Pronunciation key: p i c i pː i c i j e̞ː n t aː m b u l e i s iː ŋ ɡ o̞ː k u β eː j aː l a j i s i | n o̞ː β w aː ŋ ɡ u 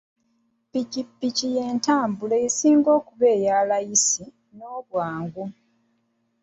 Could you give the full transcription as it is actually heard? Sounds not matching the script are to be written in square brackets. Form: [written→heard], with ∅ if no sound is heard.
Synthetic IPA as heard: p i c i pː i c i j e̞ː n t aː m b u l e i s iː ŋ ɡ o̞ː k u β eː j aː l a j i s i | n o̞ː β w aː ŋ ɡ u